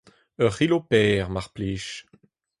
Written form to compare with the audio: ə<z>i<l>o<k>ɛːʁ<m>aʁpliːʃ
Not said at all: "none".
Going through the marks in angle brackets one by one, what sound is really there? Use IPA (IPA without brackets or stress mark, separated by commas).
ʁ, l, p, m